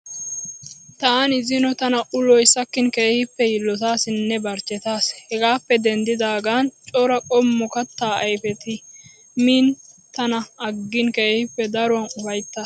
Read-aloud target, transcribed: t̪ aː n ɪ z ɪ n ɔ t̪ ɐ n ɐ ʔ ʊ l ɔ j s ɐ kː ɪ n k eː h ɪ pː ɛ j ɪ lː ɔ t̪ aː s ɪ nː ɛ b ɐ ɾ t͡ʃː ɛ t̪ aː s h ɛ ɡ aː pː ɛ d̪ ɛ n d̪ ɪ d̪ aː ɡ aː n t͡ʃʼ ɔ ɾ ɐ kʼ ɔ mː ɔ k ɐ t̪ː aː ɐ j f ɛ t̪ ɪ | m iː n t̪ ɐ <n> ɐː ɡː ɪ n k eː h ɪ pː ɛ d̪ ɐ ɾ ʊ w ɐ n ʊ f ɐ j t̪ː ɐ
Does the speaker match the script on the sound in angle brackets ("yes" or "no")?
yes